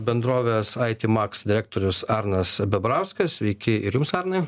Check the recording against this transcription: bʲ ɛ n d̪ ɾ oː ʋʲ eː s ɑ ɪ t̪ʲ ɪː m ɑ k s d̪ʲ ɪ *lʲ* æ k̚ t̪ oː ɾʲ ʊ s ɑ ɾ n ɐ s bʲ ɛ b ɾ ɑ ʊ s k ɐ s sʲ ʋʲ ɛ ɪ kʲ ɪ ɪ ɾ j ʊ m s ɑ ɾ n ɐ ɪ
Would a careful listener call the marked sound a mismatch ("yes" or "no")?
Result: yes